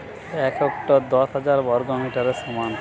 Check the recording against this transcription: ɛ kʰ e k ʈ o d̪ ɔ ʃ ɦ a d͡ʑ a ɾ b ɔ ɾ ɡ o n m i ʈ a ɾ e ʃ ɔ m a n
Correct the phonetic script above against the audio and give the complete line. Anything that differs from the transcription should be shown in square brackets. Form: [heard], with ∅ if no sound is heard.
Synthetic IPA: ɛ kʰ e k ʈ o d̪ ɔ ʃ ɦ a d͡ʑ a ɾ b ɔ ɾ ɡ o [∅] m i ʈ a ɾ e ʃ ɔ m a n